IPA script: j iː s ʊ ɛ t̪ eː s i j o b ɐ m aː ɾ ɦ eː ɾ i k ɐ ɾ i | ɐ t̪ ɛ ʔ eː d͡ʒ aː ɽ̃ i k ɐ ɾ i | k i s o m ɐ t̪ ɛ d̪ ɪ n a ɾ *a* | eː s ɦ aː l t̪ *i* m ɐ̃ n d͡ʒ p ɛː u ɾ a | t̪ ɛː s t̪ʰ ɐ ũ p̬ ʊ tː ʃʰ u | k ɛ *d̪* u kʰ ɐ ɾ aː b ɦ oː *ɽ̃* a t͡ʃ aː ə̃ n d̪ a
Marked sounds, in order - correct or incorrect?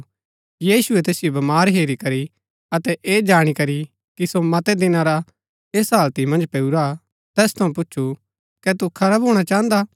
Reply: correct, correct, incorrect, correct

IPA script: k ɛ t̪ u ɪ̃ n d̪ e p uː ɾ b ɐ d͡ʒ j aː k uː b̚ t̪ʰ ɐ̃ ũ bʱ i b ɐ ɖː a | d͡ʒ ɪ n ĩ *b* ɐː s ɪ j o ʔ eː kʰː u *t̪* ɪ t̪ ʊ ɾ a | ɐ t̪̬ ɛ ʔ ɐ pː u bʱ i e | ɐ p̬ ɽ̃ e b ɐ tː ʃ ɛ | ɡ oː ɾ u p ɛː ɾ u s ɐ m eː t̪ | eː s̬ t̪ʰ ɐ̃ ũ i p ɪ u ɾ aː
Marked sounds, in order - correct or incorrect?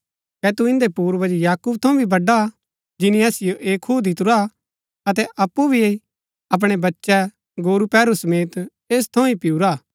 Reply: incorrect, incorrect

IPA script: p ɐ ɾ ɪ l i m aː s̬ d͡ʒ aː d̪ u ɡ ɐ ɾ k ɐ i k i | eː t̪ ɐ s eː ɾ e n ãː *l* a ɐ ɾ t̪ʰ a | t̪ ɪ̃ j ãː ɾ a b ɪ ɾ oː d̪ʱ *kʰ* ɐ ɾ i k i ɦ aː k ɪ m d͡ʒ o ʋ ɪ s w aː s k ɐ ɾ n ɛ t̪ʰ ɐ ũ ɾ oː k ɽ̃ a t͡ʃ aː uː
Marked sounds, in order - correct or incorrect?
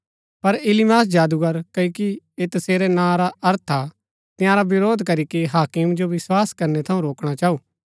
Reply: incorrect, incorrect

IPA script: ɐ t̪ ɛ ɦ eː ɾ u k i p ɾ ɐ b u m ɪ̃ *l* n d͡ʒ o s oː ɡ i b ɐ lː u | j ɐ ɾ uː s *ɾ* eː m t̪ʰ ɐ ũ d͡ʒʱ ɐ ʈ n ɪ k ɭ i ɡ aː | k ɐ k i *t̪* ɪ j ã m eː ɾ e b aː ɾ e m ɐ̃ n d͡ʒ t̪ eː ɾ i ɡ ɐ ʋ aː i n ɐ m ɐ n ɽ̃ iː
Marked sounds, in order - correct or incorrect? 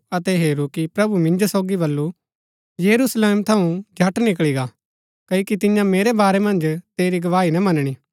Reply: incorrect, incorrect, correct

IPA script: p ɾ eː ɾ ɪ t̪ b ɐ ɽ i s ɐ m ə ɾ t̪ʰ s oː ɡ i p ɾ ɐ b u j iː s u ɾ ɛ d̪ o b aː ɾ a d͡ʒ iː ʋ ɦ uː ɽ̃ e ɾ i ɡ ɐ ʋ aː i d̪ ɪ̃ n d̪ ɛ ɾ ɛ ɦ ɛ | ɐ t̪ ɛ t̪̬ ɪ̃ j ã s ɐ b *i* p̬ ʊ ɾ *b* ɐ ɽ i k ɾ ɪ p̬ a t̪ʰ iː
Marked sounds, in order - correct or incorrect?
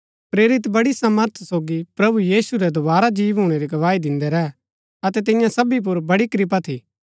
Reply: correct, correct

